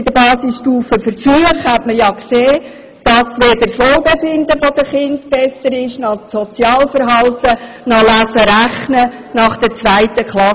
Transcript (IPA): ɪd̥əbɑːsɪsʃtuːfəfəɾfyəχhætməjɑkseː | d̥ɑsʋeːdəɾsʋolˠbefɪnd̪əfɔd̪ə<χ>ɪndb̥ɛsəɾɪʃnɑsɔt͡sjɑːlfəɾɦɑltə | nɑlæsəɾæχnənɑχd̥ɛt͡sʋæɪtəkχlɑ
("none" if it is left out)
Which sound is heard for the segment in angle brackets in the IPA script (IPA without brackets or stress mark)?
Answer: χ